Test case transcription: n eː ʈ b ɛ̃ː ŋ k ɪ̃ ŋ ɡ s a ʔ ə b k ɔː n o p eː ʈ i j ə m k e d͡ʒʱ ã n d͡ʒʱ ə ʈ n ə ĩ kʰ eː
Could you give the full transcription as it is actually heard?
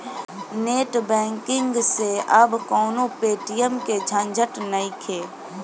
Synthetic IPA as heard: n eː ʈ b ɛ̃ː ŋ k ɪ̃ ŋ ɡ s e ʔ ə b k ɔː n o p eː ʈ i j ə m k e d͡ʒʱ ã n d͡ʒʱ ə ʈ n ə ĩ kʰ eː